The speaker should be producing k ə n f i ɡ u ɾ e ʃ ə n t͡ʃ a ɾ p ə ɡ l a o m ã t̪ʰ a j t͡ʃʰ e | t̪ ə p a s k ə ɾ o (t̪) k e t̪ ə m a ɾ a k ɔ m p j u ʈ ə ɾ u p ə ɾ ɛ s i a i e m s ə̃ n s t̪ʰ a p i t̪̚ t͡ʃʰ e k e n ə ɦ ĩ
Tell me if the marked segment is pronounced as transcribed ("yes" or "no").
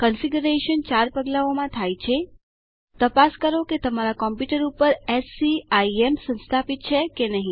no